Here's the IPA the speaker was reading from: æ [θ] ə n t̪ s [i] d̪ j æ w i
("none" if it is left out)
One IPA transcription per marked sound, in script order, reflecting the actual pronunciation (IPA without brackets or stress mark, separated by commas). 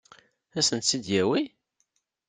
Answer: s, i